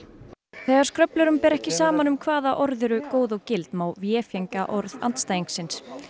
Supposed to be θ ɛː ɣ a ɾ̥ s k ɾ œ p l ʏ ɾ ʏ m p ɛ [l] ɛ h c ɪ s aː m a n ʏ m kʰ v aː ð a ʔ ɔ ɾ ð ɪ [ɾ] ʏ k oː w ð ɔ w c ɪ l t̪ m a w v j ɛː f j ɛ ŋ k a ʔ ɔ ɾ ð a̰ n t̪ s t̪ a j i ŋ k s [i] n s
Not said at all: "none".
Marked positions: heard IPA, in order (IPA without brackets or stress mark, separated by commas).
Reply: ɾ, ɾ, ɪ